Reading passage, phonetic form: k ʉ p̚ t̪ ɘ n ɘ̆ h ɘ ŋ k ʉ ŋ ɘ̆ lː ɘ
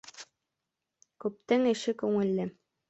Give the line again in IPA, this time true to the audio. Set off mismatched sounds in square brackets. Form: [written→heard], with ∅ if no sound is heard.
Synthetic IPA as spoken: k ʉ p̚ t̪ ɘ [n→ŋ] ɘ̆ [h→ʃ] ɘ [ŋ→∅] k ʉ ŋ ɘ̆ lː ɘ

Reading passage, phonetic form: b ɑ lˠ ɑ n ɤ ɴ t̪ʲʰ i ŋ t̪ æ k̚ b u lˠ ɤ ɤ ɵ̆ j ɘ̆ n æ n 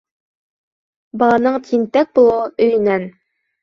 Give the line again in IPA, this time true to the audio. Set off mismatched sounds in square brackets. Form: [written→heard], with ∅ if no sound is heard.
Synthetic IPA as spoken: b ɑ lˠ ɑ n ɤ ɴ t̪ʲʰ i [ŋ→n] t̪ æ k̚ b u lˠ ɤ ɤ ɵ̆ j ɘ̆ n æ n

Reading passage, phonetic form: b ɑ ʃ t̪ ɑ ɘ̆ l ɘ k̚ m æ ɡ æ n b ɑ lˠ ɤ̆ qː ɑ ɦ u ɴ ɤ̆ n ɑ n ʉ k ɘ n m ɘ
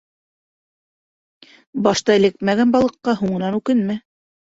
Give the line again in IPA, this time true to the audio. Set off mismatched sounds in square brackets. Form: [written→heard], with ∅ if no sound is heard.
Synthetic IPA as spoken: b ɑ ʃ t̪ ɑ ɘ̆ l ɘ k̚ m æ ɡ æ n b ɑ lˠ ɤ̆ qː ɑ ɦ u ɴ ɤ̆ n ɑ n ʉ k ɘ n m ɘ

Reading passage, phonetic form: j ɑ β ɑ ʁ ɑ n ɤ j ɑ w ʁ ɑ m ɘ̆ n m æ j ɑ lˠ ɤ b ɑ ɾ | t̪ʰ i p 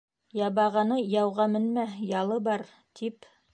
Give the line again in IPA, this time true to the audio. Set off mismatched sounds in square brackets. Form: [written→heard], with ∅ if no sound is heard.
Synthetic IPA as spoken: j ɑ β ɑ ʁ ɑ n ɤ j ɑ w ʁ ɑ m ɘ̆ n m æ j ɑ lˠ ɤ b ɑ ɾ | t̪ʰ i p

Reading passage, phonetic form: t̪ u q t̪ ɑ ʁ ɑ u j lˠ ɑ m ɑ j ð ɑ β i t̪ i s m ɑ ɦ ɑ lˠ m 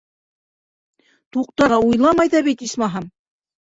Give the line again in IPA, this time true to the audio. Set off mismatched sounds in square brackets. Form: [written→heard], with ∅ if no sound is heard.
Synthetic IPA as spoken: t̪ u q t̪ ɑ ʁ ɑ u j lˠ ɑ m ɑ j ð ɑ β i t̪ i s m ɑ ɦ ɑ [lˠ→∅] m

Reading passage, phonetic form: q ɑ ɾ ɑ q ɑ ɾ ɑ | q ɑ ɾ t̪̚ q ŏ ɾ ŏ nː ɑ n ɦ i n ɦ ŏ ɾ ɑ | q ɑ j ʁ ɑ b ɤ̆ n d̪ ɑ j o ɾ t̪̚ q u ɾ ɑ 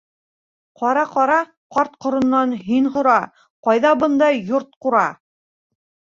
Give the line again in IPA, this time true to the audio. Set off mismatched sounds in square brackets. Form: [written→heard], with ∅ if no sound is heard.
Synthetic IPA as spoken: q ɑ ɾ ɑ q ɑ ɾ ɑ | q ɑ ɾ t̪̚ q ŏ ɾ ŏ nː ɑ n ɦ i n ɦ ŏ ɾ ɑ | q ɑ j [ʁ→ð] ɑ b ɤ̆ n d̪ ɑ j o ɾ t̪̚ q u ɾ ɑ

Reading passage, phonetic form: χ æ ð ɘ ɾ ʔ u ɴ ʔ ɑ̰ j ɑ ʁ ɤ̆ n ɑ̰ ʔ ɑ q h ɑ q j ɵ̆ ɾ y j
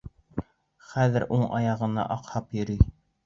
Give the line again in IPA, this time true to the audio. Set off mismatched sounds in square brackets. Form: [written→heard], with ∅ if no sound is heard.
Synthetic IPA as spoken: χ æ ð ɘ ɾ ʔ u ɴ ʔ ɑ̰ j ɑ ʁ ɤ̆ n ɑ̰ ʔ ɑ q h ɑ [q→p] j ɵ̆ ɾ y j

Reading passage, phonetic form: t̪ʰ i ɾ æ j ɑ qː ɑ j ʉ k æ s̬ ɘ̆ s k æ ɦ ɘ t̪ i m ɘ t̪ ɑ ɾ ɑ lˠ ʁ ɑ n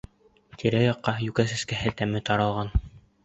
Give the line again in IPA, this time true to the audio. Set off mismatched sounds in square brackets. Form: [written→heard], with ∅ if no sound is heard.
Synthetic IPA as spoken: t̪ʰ i ɾ æ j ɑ qː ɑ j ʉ k æ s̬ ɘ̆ s k æ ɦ ɘ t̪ [i→æ] m ɘ t̪ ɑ ɾ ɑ lˠ ʁ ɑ n

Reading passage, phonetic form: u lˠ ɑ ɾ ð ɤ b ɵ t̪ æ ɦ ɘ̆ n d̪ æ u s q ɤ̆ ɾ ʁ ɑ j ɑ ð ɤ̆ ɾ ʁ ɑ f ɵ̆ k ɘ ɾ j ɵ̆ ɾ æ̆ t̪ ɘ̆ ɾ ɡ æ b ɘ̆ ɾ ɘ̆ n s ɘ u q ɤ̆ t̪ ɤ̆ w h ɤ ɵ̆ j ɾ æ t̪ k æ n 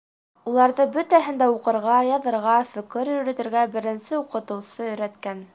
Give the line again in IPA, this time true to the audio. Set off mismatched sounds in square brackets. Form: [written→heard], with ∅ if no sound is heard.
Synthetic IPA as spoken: u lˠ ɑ ɾ ð ɤ b ɵ t̪ æ ɦ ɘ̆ n d̪ æ u [s→∅] q ɤ̆ ɾ ʁ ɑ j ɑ ð ɤ̆ ɾ ʁ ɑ f ɵ̆ k ɘ ɾ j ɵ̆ ɾ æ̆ t̪ ɘ̆ ɾ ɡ æ b ɘ̆ ɾ ɘ̆ n s ɘ u q ɤ̆ t̪ ɤ̆ w [h→s] ɤ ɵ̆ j ɾ æ t̪ k æ n

